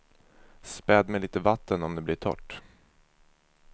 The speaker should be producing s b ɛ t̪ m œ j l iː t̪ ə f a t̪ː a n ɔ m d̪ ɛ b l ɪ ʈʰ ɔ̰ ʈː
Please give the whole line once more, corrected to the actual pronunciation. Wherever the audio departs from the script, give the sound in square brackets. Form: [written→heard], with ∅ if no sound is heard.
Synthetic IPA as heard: s [b→p] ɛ [t̪→d̪] m [œ→ɛ] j l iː t̪ ə [f→v] a t̪ː [a→ə] n ɔ m d̪ ɛ b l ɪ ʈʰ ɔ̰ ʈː